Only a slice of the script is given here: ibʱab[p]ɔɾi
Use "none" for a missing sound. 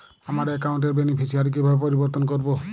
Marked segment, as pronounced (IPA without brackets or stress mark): p